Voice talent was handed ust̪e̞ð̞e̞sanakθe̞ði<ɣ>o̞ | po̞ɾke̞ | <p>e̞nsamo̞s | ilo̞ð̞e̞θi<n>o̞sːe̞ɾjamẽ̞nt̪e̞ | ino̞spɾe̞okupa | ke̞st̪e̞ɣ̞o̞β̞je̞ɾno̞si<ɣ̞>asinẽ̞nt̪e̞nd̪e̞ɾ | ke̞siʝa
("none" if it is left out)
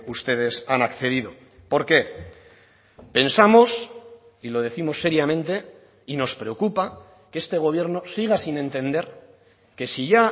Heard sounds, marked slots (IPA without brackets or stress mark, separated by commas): ð, p, m, ɣ̞